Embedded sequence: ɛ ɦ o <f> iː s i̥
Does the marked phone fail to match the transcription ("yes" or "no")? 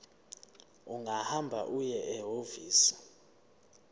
yes